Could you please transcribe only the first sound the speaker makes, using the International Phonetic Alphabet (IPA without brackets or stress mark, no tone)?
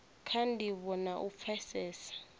kʰ